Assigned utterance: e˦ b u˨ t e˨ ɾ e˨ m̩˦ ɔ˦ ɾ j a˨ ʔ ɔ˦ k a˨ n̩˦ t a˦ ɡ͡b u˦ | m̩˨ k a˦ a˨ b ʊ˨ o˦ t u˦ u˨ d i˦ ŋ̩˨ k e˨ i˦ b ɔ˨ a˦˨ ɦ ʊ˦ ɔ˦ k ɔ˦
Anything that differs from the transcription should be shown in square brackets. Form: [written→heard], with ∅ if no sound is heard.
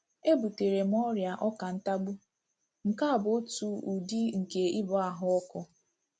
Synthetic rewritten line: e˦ b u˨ t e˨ ɾ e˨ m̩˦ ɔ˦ ɾ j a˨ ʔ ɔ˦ k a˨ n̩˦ t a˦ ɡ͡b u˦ | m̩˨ k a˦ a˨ b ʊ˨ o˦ t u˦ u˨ d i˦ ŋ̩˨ k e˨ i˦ b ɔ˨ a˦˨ ɦ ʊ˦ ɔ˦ k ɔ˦